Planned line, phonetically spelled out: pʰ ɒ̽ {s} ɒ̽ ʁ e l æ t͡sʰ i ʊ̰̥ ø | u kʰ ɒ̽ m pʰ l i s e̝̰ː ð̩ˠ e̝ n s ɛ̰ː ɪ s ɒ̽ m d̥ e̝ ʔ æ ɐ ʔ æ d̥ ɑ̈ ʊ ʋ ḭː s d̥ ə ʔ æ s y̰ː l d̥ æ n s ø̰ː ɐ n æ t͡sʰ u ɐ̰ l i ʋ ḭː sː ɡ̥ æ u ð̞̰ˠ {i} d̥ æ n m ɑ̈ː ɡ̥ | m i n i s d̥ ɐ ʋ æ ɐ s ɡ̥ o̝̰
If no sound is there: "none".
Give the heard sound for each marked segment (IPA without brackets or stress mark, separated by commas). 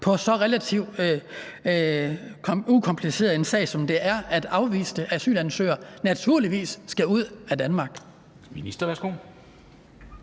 s, æ